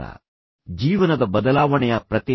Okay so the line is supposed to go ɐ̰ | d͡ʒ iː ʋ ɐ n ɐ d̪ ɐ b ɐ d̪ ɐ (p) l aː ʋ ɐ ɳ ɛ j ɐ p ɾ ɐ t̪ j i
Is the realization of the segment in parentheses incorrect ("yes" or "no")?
yes